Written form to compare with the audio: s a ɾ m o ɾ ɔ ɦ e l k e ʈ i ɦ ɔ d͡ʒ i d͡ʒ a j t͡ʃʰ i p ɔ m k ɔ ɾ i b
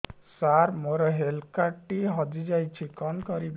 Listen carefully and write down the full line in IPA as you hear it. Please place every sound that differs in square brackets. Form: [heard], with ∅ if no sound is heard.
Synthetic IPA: s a ɾ m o ɾ ɔ ɦ e l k [a] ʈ i ɦ ɔ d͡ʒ i d͡ʒ a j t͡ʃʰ i [k] ɔ [n] k ɔ ɾ i b

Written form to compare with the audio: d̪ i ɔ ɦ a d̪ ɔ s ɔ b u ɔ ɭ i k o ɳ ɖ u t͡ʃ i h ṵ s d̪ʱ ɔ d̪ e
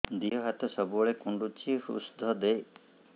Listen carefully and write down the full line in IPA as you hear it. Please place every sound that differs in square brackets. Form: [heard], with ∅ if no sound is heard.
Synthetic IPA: d̪ i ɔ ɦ a [t̪] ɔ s ɔ b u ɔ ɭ [e] k [u] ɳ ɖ u t͡ʃ i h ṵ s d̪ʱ ɔ d̪ e

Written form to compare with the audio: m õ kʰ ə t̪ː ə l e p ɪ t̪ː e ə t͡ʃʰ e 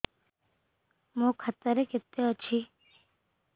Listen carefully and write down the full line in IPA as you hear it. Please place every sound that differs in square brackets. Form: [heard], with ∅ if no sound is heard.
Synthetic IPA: m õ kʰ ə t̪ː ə [ɾ] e [k] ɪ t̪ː e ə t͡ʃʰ [i]

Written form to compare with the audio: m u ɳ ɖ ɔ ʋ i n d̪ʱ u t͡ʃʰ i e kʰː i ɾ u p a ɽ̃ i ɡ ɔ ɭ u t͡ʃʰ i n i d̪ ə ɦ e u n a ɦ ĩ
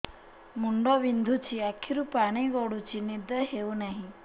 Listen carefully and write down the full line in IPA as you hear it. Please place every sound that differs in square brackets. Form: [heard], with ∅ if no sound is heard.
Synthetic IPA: m u ɳ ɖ ɔ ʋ i n d̪ʱ u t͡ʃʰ i [a] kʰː i ɾ u p a ɽ̃ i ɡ ɔ [ɽ] u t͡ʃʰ i n i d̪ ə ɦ e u n a ɦ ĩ

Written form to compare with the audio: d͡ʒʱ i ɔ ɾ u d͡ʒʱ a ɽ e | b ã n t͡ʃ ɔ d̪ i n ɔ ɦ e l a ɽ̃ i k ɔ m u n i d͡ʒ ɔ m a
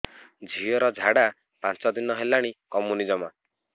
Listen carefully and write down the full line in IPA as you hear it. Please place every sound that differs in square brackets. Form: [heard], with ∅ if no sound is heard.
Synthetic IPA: d͡ʒʱ i ɔ ɾ [ɔ] d͡ʒʱ a ɽ [a] | [p] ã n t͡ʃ ɔ d̪ i n ɔ ɦ e l a ɽ̃ i k ɔ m u n i d͡ʒ ɔ m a

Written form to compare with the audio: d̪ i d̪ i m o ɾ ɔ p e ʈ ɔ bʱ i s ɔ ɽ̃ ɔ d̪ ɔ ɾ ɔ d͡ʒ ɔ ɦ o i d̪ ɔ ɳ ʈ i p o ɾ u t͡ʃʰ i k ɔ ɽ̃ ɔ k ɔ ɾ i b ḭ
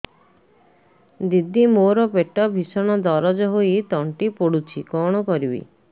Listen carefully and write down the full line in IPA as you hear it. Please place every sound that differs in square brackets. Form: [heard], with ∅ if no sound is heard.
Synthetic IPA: d̪ i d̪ i m o ɾ ɔ p e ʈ ɔ bʱ i s ɔ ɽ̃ ɔ d̪ ɔ ɾ ɔ d͡ʒ ɔ ɦ o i [t̪] ɔ ɳ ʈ i p o [ɽ] u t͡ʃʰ i k ɔ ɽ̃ ɔ k ɔ ɾ i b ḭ

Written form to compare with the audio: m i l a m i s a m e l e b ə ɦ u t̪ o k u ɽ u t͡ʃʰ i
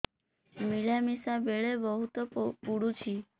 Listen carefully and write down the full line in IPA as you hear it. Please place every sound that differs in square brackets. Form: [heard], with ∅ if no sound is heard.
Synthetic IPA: m i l a m i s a [b] e [ɭ] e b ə ɦ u t̪ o [p] u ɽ u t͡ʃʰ i

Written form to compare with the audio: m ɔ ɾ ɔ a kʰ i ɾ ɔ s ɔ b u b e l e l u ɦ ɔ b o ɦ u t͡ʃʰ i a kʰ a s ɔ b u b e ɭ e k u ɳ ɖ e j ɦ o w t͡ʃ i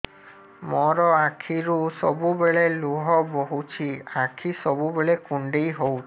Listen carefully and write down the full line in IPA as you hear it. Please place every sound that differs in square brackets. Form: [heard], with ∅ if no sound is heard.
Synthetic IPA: m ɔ ɾ ɔ a kʰ i ɾ [u] s ɔ b u b e [ɭ] e l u ɦ ɔ b o ɦ u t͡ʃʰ i a kʰ [i] s ɔ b u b e ɭ e k u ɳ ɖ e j ɦ o w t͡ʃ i

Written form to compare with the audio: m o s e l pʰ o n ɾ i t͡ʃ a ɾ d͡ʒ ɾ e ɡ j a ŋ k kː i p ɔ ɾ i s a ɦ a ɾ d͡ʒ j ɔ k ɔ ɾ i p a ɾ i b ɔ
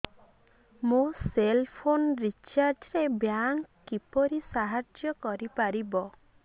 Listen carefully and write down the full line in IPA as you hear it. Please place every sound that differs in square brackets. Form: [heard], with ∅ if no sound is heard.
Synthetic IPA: m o s e l pʰ o n ɾ i t͡ʃ a ɾ d͡ʒ ɾ e [b] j a ŋ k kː i p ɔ ɾ i s a ɦ a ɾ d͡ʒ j ɔ k ɔ ɾ i p a ɾ i b ɔ

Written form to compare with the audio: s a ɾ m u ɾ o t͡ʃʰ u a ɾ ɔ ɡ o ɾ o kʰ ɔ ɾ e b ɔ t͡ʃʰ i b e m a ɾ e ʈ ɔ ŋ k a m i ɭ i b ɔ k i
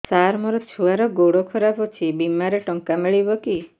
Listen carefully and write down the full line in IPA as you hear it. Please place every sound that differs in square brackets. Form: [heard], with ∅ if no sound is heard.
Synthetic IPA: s a ɾ m [ɔ] ɾ [ɔ] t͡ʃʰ u a ɾ ɔ ɡ o [ɽ] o kʰ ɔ ɾ [a] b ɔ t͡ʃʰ i b [i] m a ɾ e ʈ ɔ ŋ k a m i ɭ i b ɔ k i

